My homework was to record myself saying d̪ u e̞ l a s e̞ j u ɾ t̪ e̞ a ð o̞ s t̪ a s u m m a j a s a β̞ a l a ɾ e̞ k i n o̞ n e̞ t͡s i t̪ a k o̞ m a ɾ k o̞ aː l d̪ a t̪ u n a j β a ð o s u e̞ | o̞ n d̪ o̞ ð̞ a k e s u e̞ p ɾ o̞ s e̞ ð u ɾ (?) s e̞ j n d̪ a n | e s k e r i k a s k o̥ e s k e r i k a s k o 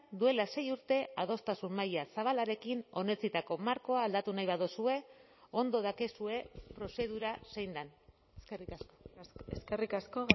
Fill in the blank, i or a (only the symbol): a